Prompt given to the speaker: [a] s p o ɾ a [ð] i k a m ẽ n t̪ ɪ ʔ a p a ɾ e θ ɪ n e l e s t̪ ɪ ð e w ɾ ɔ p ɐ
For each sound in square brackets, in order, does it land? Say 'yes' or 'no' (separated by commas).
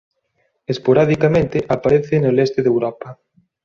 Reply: no, yes